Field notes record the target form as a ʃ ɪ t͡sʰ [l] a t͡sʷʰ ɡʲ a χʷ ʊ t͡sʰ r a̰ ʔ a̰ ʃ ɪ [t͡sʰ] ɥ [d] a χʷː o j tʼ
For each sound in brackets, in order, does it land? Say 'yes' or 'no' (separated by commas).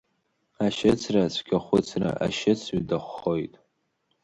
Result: no, yes, yes